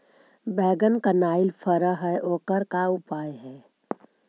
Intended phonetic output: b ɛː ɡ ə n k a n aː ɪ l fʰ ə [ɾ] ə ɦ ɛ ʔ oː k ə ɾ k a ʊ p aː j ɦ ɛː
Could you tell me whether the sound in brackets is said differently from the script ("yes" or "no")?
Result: no